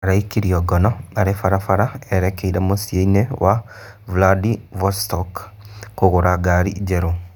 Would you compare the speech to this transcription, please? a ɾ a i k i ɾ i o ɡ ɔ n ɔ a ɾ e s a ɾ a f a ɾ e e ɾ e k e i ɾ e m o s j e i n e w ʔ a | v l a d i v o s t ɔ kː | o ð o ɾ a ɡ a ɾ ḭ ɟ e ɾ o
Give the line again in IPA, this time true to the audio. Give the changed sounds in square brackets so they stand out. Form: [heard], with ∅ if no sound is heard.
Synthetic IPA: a ɾ a i k i ɾ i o ɡ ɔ n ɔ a ɾ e [f] a ɾ a f a ɾ [a] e ɾ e k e i ɾ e m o s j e i n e w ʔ a | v l a d i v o s t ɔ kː | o [ɣ] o ɾ a ɡ a ɾ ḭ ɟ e ɾ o